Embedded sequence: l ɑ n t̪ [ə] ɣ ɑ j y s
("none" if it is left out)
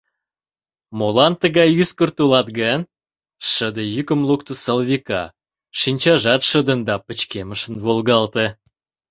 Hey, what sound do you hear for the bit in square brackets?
ə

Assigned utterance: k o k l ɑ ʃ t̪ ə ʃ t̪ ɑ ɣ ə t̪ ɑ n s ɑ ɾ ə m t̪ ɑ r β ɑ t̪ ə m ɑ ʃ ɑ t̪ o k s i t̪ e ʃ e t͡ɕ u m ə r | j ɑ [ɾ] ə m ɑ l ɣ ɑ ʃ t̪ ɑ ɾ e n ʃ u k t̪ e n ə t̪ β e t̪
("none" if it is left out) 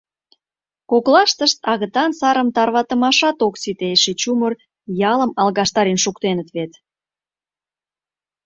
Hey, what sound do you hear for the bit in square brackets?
l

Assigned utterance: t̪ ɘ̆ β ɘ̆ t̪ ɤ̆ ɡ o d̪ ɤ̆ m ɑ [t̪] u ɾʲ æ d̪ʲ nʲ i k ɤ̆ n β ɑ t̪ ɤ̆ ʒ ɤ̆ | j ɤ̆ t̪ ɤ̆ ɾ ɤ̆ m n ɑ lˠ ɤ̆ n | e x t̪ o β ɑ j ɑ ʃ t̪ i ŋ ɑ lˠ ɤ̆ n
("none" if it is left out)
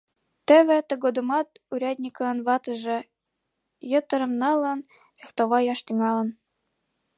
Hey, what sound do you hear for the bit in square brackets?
t̪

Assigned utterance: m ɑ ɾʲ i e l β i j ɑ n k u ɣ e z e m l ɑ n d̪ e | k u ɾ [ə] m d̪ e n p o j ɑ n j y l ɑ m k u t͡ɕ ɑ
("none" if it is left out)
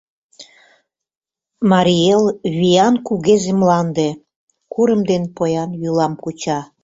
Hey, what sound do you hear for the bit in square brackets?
ə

